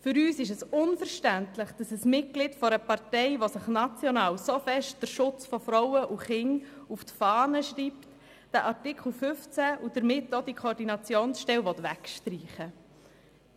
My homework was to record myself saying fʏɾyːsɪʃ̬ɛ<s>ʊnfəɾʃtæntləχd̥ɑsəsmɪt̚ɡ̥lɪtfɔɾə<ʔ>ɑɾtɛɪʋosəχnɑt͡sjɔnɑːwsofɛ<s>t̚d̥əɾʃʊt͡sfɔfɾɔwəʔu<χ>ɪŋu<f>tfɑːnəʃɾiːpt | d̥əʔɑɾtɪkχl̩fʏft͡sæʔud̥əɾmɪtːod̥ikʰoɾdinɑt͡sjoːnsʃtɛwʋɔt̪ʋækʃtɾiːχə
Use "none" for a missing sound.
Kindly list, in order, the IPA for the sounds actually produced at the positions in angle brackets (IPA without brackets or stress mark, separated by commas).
s, p, ʃ, χ, f